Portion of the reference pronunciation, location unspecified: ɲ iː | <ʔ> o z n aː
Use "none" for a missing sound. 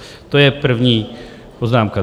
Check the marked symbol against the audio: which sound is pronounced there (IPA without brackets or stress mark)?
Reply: p